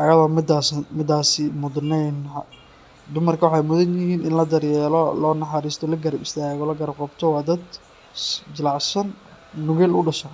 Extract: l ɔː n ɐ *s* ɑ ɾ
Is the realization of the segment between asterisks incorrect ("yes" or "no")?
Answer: yes